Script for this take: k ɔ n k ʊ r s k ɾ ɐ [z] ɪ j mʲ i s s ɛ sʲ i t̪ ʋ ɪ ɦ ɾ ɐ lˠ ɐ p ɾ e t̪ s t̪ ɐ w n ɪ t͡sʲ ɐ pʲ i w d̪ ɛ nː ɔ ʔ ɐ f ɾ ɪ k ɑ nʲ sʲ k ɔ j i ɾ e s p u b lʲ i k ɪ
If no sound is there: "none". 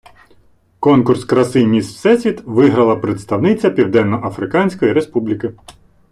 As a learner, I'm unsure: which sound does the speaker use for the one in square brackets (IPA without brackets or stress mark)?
s